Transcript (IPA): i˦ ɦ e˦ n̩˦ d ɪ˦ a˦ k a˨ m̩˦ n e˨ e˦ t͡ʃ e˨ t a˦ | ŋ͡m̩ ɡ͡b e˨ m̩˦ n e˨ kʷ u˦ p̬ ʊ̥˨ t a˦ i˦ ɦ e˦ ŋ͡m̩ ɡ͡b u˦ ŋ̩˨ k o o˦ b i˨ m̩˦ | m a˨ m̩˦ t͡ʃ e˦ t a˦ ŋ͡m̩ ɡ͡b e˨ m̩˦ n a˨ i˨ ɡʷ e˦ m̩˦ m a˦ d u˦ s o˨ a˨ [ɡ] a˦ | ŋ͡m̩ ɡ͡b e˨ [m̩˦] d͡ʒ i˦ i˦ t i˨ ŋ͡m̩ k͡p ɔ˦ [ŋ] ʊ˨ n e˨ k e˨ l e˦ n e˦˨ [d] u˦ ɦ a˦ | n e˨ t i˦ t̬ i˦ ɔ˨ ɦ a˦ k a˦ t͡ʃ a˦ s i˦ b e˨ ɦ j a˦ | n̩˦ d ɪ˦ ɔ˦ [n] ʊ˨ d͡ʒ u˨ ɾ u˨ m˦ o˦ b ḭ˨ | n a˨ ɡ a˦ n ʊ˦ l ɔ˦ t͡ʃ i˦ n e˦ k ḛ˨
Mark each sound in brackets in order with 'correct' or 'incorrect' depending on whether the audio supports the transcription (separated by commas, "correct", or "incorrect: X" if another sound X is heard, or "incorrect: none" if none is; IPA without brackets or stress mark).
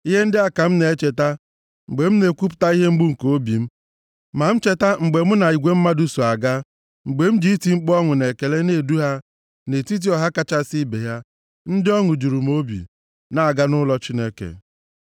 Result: correct, correct, correct, correct, incorrect: ŋ